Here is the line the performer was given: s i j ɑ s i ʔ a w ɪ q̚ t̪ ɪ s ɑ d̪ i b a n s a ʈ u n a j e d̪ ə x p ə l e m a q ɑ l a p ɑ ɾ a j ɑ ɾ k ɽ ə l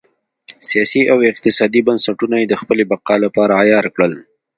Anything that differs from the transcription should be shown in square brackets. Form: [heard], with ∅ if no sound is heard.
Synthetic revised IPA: s i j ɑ s i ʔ a w ɪ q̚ t̪ ɪ s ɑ d̪ i b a n s a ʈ u n a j e d̪ ə x p ə l e [b] a q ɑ l a p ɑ ɾ a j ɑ ɾ k ɽ ə l